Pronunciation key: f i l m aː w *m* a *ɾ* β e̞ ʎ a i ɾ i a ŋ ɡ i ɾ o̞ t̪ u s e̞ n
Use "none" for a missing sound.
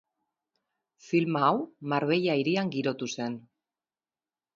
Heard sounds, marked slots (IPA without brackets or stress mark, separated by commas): m, ɾ